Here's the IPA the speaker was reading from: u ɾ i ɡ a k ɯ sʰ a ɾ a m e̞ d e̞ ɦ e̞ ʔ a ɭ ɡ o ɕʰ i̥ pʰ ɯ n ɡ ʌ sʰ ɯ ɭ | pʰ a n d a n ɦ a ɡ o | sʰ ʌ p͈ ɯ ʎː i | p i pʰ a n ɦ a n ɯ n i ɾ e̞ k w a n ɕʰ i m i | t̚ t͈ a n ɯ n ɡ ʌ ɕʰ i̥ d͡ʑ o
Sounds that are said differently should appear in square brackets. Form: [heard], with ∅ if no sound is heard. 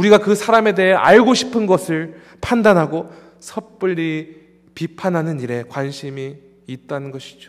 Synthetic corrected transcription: u ɾ i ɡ a k ɯ sʰ a ɾ a m e̞ d e̞ ɦ e̞ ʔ a ɭ ɡ o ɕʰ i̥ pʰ ɯ n ɡ ʌ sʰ ɯ ɭ | pʰ a n d a n ɦ a ɡ o | sʰ ʌ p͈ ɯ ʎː i | p i pʰ a n ɦ a n ɯ n i ɾ e̞ k w a n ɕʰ i m [iː] | t̚ t͈ a n ɯ n ɡ ʌ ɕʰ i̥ d͡ʑ o